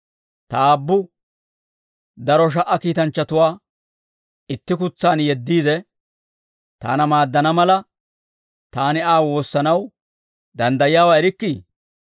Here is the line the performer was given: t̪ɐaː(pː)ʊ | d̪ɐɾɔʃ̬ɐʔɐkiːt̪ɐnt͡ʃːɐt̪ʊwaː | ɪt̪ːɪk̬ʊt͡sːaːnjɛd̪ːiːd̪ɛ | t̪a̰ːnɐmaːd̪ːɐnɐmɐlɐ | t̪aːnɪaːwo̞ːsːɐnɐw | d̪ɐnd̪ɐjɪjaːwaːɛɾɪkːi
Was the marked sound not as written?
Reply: yes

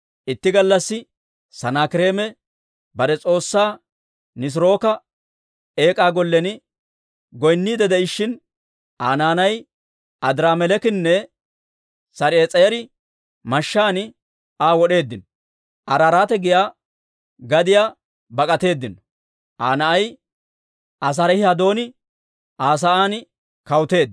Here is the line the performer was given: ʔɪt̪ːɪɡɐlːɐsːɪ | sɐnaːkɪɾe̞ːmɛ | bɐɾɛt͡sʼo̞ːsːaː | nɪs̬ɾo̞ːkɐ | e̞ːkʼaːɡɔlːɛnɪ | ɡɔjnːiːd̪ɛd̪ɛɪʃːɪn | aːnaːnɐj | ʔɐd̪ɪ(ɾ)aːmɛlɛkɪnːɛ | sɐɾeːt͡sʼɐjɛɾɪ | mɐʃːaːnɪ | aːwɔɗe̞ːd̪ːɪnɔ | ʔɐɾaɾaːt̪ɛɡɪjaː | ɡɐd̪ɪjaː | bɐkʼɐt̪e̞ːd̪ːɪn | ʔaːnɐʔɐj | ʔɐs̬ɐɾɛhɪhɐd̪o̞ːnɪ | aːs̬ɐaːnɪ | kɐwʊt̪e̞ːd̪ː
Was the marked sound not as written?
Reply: no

